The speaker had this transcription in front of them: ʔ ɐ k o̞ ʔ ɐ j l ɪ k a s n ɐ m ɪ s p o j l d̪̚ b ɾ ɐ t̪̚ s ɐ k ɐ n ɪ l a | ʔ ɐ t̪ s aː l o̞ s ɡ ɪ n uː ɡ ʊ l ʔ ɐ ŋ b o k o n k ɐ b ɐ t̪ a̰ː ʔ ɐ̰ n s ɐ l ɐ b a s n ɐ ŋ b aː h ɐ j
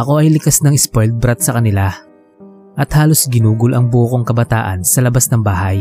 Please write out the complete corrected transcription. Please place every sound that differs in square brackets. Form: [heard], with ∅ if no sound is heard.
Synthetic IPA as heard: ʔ ɐ k o̞ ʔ ɐ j l ɪ k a s n ɐ [ŋ] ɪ s p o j l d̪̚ b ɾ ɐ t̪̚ s ɐ k ɐ n ɪ l a | ʔ ɐ t̪ [h] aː l o̞ s ɡ ɪ n uː ɡ ʊ l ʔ ɐ ŋ b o k o [ŋ] k ɐ b ɐ t̪ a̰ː ʔ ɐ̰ n s ɐ l ɐ b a s n ɐ ŋ b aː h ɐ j